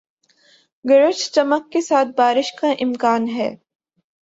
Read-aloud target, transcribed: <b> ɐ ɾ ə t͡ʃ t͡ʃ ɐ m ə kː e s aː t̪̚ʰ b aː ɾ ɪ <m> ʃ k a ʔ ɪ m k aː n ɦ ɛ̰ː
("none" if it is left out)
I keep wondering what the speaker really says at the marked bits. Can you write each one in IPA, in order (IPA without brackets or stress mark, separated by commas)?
ɡ, none